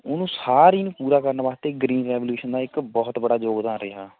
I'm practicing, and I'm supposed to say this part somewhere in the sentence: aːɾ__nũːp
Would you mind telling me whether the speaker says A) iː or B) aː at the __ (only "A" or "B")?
A